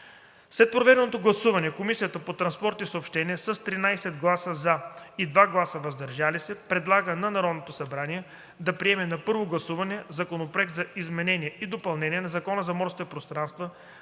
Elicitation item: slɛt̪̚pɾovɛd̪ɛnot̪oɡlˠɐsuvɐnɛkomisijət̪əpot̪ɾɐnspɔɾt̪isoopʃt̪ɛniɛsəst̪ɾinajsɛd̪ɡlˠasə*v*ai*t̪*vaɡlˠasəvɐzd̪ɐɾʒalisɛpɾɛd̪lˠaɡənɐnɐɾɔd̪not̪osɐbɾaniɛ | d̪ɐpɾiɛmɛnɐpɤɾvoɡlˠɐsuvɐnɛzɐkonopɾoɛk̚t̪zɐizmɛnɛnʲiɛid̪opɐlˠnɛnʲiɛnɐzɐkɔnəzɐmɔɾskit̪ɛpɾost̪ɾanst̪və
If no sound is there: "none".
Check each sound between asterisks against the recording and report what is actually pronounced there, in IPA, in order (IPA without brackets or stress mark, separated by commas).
z, d̪